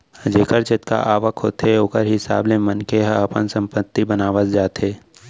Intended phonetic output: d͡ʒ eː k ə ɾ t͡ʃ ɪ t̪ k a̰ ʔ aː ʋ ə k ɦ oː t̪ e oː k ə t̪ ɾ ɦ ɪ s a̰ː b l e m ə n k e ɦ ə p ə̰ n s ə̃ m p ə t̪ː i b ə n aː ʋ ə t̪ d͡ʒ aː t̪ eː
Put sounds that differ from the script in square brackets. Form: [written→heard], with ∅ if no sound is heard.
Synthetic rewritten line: d͡ʒ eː k ə ɾ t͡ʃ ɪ t̪ k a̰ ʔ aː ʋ ə k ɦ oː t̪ e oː k ə [t̪→∅] ɾ ɦ ɪ s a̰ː b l e m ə n k e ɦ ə p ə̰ n s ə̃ m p ə t̪ː i b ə n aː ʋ ə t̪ d͡ʒ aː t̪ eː